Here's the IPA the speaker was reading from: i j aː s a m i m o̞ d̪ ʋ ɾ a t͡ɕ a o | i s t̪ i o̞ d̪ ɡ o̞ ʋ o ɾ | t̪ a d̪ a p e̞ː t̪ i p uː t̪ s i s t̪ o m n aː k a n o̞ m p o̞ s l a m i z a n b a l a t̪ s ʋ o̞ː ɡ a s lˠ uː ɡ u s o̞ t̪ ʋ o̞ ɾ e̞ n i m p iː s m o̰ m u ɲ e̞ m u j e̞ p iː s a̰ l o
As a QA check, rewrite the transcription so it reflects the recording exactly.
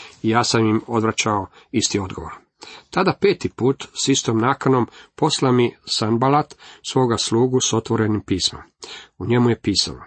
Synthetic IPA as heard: i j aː s a m i m o̞ d̪ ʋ ɾ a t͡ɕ a o | i s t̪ i o̞ d̪ ɡ o̞ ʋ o ɾ | t̪ a d̪ a p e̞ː t̪ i p uː t̪ s i s t̪ o m n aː k a n o̞ m p o̞ s l a m i s a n b a l a t̪ s ʋ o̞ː ɡ a s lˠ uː ɡ u s o̞ t̪ ʋ o̞ ɾ e̞ n i m p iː s m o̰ m u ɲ e̞ m u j e̞ p iː s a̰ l o